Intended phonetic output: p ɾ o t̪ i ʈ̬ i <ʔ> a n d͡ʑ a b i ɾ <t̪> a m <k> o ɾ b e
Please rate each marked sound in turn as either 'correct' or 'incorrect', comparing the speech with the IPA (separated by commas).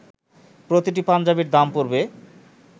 incorrect, incorrect, incorrect